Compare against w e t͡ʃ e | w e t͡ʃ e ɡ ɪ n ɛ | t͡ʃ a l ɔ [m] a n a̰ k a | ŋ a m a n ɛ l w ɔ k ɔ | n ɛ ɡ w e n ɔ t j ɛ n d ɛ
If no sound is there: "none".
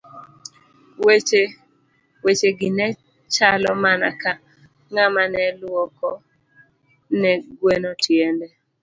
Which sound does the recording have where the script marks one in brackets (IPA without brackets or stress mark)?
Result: m